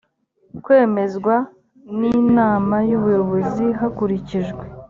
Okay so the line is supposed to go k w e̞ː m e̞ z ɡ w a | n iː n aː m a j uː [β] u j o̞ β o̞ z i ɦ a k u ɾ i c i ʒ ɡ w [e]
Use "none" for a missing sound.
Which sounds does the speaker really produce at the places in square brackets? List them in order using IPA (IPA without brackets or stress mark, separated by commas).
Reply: β, e